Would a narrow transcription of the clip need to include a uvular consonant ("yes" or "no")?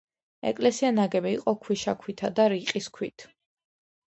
yes